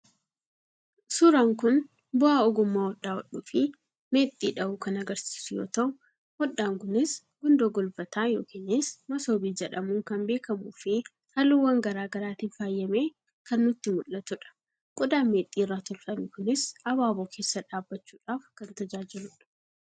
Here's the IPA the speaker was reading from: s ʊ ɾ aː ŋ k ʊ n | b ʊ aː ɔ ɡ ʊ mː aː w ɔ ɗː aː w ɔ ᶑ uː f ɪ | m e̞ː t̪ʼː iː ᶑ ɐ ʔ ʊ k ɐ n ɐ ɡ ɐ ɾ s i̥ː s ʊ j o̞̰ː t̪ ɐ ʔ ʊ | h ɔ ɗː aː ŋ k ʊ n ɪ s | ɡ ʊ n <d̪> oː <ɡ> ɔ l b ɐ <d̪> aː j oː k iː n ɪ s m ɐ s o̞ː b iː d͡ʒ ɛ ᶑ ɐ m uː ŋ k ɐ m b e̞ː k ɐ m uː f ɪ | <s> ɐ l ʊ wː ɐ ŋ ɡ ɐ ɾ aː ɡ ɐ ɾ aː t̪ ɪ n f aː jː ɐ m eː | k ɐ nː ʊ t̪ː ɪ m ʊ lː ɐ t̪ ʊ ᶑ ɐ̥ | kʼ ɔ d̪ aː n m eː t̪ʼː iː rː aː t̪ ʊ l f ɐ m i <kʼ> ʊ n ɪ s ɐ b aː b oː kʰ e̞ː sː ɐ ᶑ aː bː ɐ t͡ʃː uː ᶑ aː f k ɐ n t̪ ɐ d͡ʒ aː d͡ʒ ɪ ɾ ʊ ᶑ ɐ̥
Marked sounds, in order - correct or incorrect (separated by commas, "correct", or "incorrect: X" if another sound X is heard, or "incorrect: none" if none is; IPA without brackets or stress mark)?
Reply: correct, correct, incorrect: t̪, incorrect: h, incorrect: k